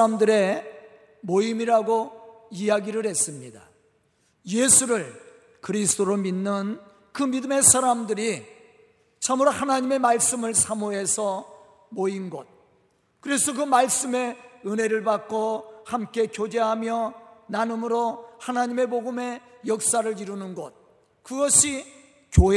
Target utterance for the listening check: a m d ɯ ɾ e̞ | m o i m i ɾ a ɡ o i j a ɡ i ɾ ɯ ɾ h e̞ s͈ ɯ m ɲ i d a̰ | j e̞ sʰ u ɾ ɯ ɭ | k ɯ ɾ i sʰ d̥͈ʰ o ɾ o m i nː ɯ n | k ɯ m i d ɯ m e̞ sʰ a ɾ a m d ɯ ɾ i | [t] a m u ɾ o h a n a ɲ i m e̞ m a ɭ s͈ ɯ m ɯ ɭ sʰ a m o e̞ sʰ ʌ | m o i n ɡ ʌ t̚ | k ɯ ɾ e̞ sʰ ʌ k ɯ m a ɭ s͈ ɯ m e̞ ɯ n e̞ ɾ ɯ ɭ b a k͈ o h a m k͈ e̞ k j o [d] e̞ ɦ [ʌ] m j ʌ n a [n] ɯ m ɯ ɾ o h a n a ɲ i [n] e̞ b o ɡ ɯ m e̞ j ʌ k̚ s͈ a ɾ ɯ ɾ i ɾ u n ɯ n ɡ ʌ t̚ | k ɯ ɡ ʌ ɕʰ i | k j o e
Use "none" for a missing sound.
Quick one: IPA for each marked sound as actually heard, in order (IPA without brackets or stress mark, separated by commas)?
t͡ɕʰ, d͡ʑ, a, n, m